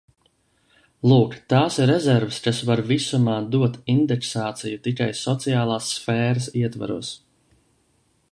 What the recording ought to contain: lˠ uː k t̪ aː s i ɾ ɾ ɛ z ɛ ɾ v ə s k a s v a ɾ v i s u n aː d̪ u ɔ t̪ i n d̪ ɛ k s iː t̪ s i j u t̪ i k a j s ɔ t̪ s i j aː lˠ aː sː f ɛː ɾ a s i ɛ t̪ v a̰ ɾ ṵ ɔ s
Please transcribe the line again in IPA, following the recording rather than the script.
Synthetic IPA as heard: lˠ uː k t̪ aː s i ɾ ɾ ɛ z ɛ ɾ v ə s k a s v a ɾ v i s u m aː d̪ u ɔ t̪ i n d̪ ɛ k s aː t̪ s i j u t̪ i k a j s ɔ t̪ s i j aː lˠ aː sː f ɛː ɾ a s i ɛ t̪ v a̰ ɾ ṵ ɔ s